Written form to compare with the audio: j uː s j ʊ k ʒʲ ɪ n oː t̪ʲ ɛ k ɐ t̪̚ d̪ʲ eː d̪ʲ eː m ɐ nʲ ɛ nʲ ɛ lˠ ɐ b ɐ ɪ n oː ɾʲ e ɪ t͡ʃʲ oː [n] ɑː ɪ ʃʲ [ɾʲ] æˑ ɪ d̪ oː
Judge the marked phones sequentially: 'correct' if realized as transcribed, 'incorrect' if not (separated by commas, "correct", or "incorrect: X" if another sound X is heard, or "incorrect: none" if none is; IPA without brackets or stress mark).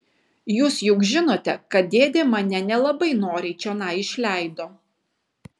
correct, incorrect: lʲ